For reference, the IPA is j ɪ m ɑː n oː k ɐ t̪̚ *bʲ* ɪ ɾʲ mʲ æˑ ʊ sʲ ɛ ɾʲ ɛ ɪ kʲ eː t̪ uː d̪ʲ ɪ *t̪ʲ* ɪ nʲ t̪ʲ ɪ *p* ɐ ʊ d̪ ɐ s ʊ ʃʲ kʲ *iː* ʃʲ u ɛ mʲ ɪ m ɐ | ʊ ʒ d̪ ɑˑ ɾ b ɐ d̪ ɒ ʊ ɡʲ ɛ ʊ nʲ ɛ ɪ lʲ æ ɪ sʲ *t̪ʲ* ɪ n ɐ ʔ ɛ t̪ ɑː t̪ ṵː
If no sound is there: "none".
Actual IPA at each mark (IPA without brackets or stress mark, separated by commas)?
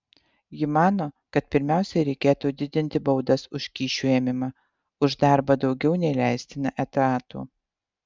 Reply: pʲ, d̪ʲ, b, iː, t̪ʲ